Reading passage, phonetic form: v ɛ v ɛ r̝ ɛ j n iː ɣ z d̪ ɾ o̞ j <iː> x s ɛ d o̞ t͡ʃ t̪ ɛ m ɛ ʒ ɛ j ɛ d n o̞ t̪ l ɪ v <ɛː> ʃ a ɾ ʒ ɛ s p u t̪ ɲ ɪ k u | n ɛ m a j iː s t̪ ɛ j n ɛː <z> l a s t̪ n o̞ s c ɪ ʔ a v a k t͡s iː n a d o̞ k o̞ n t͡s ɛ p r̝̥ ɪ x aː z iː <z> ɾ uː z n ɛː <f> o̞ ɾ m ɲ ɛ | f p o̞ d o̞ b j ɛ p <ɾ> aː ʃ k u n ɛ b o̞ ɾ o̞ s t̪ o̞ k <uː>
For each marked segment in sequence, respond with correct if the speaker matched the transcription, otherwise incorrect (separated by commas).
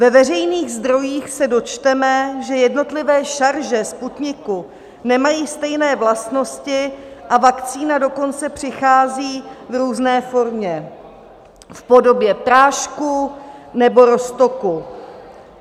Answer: correct, correct, incorrect, incorrect, correct, correct, incorrect